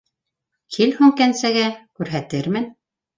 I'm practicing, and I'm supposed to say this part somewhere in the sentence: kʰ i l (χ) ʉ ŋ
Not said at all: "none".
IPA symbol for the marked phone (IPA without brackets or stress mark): h